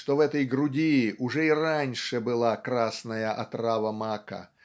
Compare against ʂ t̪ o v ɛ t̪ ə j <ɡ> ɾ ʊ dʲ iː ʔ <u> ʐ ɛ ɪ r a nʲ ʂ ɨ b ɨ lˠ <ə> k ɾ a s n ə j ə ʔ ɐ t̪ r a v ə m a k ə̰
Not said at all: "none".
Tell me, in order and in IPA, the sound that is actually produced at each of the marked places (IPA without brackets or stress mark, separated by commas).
ɡ, ʊ, a